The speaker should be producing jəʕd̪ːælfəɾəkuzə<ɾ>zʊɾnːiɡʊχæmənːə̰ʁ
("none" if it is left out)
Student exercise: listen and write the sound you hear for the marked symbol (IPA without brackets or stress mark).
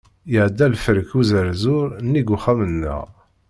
ɾ